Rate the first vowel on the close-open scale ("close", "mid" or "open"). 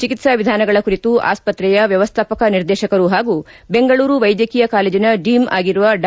close